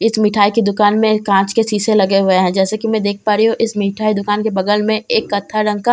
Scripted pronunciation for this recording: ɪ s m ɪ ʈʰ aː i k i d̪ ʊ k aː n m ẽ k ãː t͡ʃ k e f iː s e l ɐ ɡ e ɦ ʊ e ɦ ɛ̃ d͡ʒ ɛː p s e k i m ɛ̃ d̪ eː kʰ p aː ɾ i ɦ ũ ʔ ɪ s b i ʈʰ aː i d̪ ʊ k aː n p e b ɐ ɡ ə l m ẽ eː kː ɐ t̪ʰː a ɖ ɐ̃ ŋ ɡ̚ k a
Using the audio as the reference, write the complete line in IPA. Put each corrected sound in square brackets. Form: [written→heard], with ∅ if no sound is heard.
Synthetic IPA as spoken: ɪ s m ɪ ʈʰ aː i k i d̪ ʊ k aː n m ẽ k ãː t͡ʃ k e [f→s] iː s e l ɐ ɡ e ɦ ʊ e ɦ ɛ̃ d͡ʒ ɛː [p→∅] s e k i m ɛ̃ d̪ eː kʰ p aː ɾ i ɦ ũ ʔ ɪ s [b→m] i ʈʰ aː i d̪ ʊ k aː n [p→k] e b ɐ ɡ ə l m ẽ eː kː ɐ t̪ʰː a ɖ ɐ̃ ŋ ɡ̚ k a

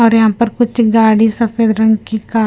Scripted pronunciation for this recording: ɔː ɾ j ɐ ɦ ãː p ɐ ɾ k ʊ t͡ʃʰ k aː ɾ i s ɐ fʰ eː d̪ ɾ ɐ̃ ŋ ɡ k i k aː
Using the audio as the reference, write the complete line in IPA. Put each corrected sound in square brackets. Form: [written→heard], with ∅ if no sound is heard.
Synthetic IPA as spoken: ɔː ɾ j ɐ ɦ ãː p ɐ ɾ k ʊ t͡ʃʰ [k→ɡ] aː [ɾ→ɽ] i s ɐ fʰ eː d̪ ɾ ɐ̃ ŋ ɡ k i k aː

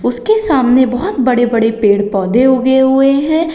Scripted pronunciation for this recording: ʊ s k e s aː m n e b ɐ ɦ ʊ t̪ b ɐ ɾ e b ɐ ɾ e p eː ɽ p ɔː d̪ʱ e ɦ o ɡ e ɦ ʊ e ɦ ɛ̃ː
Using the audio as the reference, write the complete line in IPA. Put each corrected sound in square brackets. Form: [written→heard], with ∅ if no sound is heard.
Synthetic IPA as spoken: ʊ s k e s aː m n e b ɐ ɦ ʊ t̪ b ɐ [ɾ→ɽ] e b ɐ [ɾ→ɽ] e p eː ɽ p ɔː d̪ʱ e ɦ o ɡ e ɦ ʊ e ɦ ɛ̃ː

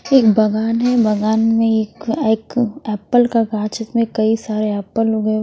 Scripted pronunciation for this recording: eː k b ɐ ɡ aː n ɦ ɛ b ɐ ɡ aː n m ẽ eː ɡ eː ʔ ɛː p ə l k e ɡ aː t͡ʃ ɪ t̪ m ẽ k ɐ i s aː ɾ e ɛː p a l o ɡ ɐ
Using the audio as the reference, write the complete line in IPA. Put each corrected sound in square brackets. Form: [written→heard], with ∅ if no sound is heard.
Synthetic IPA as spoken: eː k b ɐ ɡ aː n ɦ ɛ b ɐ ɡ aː n m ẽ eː [ɡ→k] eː [ʔ→k] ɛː p ə l k [e→a] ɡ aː t͡ʃ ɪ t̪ m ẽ k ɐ i s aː ɾ e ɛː p [a→ə] l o ɡ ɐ

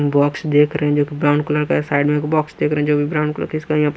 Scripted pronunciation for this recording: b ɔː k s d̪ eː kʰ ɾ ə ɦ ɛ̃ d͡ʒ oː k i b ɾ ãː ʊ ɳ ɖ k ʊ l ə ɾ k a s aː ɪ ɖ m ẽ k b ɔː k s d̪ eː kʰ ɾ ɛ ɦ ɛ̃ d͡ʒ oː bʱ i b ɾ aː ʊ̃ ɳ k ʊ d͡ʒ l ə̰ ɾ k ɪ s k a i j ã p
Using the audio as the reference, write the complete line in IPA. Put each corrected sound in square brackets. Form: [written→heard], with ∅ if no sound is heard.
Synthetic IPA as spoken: b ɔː k s d̪ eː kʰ ɾ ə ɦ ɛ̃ d͡ʒ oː k i b ɾ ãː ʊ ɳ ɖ k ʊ l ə ɾ k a s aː ɪ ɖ m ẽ k b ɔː k s d̪ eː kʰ ɾ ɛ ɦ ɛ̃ d͡ʒ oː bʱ i b ɾ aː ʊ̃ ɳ k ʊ [d͡ʒ→∅] l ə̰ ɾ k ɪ s k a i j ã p

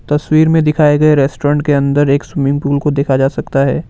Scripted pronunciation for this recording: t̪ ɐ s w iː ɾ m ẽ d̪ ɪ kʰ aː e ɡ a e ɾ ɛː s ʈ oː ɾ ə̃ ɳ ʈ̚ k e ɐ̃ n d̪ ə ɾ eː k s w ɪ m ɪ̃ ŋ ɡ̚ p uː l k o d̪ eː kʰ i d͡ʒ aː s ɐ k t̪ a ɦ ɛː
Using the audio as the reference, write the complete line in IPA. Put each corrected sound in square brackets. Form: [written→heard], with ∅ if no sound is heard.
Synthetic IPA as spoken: t̪ ɐ s w iː ɾ m ẽ d̪ ɪ kʰ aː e ɡ [a→ɐ] e ɾ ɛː s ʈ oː ɾ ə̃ ɳ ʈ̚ k e ɐ̃ n d̪ ə ɾ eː k s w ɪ m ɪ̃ ŋ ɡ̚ p uː l k o d̪ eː kʰ [i→a] d͡ʒ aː s ɐ k t̪ a ɦ ɛː

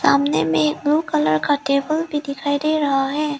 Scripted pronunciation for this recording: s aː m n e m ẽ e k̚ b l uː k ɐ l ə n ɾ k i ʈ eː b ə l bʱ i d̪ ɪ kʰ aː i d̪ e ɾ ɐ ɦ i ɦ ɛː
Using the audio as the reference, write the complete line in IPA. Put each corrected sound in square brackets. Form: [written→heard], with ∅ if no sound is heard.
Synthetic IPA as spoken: s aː m n e m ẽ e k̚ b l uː k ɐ l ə [n→∅] ɾ k [i→a] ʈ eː b ə l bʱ i d̪ ɪ kʰ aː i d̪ e ɾ ɐ ɦ [i→a] ɦ ɛː

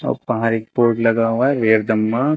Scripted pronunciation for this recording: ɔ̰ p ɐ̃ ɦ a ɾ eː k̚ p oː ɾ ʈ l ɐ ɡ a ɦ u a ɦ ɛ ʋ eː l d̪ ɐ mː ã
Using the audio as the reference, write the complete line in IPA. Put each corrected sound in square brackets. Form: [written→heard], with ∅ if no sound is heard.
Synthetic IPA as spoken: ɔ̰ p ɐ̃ ɦ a ɾ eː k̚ p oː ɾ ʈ l ɐ ɡ a ɦ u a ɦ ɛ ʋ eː [l→ɾ] d̪ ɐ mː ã

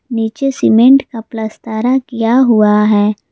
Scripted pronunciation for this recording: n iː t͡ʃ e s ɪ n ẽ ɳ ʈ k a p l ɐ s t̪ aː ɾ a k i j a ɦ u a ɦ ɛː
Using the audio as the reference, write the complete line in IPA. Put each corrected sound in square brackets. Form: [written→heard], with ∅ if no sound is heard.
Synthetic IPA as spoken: n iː t͡ʃ e s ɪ [n→m] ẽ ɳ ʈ k a p l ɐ s t̪ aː ɾ a k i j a ɦ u a ɦ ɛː

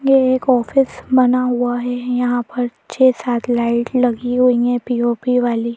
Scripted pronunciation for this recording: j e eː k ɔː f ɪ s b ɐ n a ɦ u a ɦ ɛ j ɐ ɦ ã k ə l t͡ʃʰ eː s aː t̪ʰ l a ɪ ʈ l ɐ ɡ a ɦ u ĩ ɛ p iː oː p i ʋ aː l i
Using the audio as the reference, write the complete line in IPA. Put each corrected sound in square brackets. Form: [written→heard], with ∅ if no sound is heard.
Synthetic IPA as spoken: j e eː k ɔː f ɪ s b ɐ n a ɦ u a ɦ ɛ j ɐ ɦ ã [k→p] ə [l→ɾ] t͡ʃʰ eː s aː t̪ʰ l a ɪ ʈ l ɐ ɡ [a→i] ɦ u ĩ ɛ p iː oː p i ʋ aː l i

